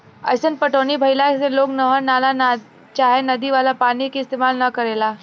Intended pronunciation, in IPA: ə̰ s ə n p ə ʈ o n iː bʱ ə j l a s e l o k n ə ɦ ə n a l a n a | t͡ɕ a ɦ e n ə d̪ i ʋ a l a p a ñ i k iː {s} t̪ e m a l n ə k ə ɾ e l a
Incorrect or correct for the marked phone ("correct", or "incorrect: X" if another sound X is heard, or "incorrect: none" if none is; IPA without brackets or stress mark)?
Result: correct